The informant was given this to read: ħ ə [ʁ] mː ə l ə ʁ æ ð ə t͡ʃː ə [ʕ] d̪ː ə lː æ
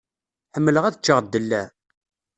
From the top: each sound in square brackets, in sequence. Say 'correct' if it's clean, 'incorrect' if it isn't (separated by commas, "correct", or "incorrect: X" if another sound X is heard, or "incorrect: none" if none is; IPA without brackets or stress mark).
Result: incorrect: none, incorrect: ʁ